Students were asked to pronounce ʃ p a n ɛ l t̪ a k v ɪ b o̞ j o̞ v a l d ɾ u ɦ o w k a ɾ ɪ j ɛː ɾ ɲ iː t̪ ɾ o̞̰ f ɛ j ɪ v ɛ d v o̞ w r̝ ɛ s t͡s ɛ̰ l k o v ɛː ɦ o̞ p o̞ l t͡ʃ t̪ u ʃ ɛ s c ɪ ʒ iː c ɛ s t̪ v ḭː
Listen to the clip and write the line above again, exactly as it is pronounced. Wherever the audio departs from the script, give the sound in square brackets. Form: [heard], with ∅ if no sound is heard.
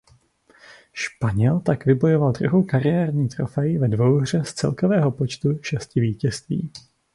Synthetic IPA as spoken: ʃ p a [ɲ] ɛ l t̪ a k v ɪ b o̞ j o̞ v a l d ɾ u ɦ o w k a ɾ ɪ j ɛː ɾ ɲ iː t̪ ɾ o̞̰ f ɛ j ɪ v ɛ d v o̞ w r̝ ɛ s t͡s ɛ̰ l k o v ɛː ɦ o̞ p o̞ [∅] t͡ʃ t̪ u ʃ ɛ s c ɪ [v] iː c ɛ s t̪ v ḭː

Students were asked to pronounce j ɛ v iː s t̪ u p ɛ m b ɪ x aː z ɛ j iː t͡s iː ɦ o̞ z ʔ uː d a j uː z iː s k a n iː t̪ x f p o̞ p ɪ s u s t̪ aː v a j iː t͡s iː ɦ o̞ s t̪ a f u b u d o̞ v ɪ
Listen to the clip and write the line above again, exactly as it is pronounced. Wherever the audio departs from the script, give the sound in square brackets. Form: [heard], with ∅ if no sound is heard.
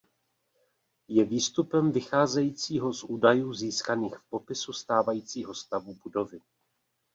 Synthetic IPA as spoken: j ɛ v iː s t̪ u p ɛ m [v] ɪ x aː z ɛ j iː t͡s iː ɦ o̞ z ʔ uː d a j uː z iː s k a n iː [∅] x f p o̞ p ɪ s u s t̪ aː v a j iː t͡s iː ɦ o̞ s t̪ a [v] u b u d o̞ v ɪ

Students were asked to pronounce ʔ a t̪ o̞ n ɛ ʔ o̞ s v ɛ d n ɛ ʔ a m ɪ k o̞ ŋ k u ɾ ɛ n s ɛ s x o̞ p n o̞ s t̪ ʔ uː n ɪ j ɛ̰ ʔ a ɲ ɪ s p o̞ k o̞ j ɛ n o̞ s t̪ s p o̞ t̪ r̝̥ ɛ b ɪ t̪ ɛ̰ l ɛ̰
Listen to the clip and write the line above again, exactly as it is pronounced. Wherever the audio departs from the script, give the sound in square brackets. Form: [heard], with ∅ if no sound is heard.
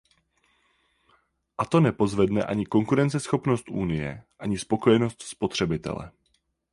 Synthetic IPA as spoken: ʔ a t̪ o̞ n ɛ [p] o̞ [z] v ɛ d n ɛ ʔ a [ɲ] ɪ k o̞ ŋ k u ɾ ɛ n [t͡s] ɛ s x o̞ p n o̞ s t̪ ʔ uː n ɪ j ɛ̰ ʔ a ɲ ɪ s p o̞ k o̞ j ɛ n o̞ s t̪ s p o̞ t̪ r̝̥ ɛ b ɪ t̪ ɛ̰ l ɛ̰

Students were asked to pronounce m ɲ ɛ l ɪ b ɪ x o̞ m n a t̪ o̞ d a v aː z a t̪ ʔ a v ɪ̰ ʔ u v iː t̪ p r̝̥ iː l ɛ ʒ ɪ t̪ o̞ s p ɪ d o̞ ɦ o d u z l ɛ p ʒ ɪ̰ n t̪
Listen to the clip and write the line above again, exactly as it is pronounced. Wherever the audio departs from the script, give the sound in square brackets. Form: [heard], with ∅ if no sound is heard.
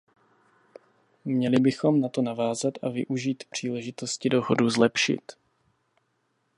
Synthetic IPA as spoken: m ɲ ɛ l ɪ b ɪ x o̞ m n a t̪ o̞ [n] a v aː z a t̪ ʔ a v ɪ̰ ʔ u [ʒ] iː t̪ p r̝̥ iː l ɛ ʒ ɪ t̪ o̞ s [c] ɪ d o̞ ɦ o d u z l ɛ p [ʃ] ɪ̰ [∅] t̪

